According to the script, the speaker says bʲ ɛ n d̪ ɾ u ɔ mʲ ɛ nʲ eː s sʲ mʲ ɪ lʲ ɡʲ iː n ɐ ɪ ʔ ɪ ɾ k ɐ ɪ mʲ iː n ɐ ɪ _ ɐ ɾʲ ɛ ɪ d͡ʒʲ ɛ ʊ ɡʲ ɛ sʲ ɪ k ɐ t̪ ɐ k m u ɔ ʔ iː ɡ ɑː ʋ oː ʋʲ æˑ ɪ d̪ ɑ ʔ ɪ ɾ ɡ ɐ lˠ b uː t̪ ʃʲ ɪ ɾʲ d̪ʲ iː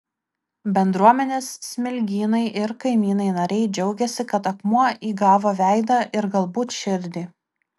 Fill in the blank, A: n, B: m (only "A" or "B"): A